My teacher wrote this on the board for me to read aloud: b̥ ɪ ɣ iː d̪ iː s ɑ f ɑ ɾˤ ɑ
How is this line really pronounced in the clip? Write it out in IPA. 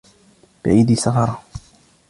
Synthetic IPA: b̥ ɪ ʕ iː d̪ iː s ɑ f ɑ ɾˤ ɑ